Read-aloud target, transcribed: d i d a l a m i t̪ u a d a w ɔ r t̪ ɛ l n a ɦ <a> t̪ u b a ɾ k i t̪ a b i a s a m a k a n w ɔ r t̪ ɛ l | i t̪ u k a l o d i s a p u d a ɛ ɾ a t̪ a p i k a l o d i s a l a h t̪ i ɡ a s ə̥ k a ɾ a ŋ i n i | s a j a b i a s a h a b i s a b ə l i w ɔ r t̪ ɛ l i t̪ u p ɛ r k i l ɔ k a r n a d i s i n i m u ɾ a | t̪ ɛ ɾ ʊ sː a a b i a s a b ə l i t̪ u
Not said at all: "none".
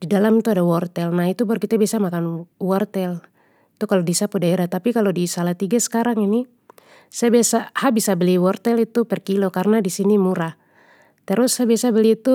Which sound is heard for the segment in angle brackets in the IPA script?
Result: i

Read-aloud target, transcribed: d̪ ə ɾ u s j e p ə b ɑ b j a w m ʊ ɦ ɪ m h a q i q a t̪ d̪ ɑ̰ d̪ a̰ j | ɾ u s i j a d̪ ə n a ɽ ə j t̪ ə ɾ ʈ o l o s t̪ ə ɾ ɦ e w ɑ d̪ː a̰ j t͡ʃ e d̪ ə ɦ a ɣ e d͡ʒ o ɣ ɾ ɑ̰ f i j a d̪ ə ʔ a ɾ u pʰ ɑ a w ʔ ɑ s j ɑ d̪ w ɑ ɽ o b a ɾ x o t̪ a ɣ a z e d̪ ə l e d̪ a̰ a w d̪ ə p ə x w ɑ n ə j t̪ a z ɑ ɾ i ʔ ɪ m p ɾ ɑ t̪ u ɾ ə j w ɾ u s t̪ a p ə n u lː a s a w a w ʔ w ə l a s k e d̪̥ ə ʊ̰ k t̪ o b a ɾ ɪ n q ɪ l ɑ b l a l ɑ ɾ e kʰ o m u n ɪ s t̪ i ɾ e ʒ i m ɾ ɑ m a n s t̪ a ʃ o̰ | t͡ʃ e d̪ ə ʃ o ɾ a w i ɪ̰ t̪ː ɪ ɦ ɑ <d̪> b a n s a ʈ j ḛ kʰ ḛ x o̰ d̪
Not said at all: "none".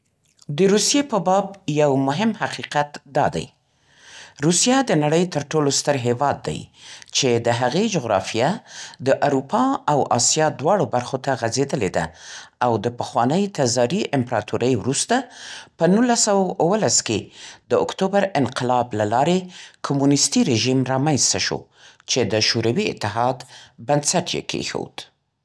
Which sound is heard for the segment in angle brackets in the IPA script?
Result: d̪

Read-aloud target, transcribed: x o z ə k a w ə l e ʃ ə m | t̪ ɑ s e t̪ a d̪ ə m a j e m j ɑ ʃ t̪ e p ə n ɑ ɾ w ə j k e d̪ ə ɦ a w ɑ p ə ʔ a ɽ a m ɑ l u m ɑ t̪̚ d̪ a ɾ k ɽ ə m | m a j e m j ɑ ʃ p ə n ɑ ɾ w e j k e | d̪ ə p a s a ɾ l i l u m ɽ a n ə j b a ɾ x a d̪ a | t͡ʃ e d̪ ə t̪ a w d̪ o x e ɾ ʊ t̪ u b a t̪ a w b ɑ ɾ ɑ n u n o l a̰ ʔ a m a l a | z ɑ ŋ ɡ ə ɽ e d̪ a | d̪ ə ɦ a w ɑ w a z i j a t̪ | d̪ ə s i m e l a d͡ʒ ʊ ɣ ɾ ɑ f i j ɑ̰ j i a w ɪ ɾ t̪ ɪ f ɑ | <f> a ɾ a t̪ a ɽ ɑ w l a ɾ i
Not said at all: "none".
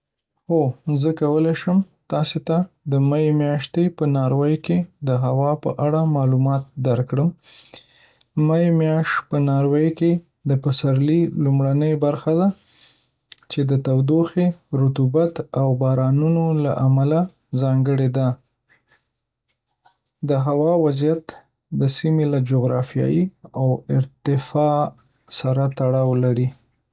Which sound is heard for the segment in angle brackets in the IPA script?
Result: s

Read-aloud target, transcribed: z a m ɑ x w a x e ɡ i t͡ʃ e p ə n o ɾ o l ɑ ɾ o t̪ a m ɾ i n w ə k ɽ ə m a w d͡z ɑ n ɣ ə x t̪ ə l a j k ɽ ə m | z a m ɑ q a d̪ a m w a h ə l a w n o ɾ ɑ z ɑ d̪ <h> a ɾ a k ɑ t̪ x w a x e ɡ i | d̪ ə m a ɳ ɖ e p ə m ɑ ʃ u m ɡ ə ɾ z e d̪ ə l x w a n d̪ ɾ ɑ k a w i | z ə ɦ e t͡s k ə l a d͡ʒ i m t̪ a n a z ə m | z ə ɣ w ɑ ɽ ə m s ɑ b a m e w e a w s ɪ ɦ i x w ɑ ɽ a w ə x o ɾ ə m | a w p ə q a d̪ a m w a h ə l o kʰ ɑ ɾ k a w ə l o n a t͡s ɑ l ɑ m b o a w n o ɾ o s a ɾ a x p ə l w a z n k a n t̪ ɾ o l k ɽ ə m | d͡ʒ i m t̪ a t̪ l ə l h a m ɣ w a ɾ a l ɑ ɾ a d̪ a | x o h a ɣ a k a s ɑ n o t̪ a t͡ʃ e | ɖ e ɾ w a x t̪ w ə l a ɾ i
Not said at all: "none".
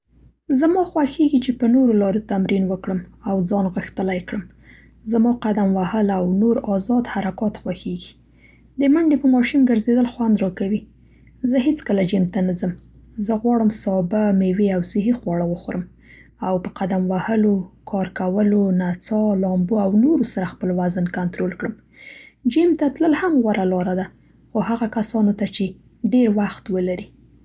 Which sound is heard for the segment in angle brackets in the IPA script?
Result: h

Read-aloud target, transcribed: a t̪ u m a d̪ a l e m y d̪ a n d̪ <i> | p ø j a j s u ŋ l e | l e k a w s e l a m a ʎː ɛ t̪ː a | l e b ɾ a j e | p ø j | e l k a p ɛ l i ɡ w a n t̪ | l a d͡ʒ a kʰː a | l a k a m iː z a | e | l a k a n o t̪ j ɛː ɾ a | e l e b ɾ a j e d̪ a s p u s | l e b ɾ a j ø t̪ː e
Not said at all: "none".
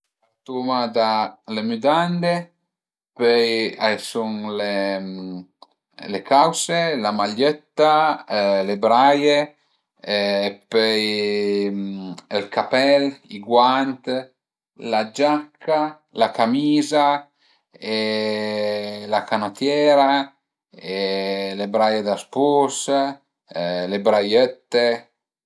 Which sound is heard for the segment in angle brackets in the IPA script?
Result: e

